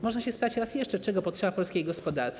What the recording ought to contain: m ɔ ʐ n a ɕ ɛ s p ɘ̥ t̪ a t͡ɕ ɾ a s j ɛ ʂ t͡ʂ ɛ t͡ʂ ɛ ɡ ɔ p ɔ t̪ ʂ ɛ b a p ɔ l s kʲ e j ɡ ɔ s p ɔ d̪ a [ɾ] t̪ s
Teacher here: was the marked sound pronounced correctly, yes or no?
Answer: yes